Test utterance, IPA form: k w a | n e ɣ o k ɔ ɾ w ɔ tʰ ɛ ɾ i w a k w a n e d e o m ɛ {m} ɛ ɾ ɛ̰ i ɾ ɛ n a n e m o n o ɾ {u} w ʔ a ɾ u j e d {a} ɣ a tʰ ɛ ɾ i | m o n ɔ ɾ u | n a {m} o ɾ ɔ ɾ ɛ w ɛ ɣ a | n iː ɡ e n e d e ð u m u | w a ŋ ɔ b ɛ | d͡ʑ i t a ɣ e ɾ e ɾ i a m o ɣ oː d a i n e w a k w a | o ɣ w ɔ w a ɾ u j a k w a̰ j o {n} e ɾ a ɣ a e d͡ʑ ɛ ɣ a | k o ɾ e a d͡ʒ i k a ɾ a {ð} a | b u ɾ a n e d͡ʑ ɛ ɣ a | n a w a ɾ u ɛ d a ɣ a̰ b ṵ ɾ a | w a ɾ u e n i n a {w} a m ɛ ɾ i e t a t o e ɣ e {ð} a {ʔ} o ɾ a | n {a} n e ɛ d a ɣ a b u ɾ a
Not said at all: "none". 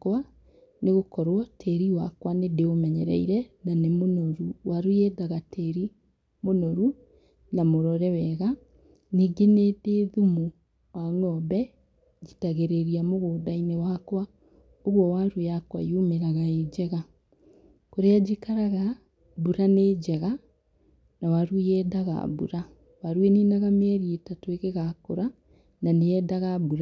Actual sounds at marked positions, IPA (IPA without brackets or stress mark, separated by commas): ɲ, u, a, m, m, ɣ, ɣ, ɣ, k, a